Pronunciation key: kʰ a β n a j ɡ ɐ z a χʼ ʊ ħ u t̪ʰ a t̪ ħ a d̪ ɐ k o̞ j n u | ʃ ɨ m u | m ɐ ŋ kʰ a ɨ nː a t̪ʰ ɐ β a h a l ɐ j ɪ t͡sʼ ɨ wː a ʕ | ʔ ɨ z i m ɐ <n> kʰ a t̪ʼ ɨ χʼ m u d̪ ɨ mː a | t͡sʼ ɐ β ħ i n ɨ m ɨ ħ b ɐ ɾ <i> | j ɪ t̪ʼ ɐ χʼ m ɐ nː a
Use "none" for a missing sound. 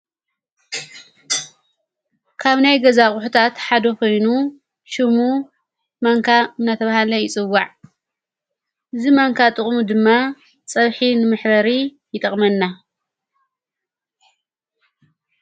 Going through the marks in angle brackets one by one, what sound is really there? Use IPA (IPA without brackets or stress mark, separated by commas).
ŋ, i